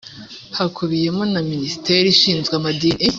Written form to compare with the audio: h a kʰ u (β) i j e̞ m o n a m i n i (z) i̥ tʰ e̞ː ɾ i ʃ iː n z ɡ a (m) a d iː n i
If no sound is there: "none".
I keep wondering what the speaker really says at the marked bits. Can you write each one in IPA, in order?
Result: β, s, m

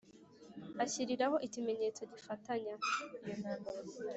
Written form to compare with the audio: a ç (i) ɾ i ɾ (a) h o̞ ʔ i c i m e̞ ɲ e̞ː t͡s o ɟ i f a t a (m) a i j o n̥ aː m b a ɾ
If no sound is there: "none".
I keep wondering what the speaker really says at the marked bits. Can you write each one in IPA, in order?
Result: i, a, ɲ

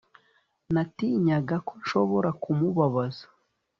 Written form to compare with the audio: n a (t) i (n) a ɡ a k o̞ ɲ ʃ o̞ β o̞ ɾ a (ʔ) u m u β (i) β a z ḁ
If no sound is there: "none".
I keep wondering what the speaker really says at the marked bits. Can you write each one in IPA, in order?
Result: t, ɲ, k, a

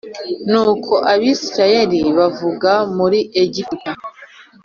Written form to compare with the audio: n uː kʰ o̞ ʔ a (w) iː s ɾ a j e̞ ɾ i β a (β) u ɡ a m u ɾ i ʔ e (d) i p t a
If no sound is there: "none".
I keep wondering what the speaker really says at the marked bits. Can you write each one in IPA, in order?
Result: β, v, ɟ

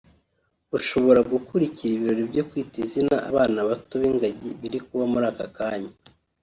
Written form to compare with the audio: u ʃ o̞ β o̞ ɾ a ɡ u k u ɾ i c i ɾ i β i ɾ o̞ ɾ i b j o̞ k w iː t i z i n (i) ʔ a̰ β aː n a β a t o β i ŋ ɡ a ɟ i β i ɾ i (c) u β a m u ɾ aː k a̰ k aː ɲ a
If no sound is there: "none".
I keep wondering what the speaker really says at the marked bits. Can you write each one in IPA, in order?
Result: a, k

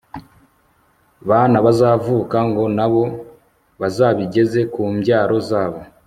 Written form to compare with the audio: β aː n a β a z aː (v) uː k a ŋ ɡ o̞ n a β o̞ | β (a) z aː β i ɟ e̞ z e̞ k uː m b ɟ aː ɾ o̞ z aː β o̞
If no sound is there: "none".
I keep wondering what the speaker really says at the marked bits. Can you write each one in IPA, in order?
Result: v, a

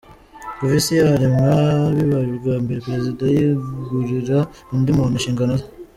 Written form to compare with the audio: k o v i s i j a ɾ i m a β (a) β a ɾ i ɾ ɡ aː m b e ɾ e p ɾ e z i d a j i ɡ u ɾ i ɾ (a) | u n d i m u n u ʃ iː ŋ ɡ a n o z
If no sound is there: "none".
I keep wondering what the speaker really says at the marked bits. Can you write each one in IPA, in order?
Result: i, a

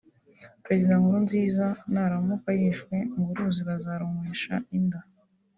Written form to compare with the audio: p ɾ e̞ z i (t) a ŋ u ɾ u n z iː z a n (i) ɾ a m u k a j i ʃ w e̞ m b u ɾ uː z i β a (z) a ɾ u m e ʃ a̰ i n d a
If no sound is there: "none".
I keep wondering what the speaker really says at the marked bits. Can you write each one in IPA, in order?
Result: d, a, z

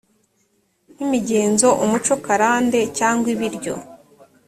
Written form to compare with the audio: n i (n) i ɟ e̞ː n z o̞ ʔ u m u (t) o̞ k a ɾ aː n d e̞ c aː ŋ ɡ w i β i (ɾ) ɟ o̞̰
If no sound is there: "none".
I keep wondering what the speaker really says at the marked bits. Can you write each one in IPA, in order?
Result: m, t͡ʃ, ɾ

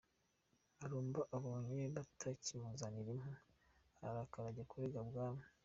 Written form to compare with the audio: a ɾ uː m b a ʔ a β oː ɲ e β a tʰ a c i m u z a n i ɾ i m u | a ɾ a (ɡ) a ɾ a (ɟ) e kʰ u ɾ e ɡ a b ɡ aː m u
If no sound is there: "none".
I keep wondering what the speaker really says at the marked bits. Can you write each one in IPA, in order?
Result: k, ɟ

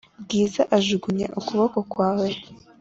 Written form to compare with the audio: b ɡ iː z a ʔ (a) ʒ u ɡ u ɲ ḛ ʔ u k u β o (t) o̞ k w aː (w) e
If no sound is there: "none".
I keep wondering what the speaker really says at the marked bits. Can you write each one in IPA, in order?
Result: a, k, w

